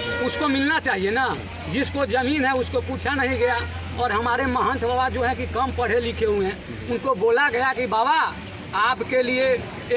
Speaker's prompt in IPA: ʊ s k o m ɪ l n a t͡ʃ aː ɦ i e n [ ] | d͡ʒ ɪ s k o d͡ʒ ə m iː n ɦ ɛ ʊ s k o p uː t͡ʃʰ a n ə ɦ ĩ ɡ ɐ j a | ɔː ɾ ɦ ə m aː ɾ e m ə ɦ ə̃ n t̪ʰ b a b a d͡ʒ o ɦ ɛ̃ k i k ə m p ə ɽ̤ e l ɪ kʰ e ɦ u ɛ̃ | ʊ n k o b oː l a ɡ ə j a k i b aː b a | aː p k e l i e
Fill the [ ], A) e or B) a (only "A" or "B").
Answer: B